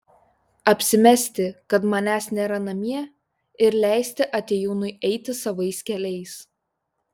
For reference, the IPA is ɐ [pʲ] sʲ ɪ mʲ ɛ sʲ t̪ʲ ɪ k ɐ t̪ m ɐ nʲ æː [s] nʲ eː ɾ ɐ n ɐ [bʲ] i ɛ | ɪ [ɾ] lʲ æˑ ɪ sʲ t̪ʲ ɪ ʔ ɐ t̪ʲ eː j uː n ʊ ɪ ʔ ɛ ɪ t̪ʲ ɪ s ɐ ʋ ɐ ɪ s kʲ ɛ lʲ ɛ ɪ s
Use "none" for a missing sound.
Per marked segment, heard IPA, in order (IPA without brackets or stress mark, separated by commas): pʲ, s, mʲ, ɾ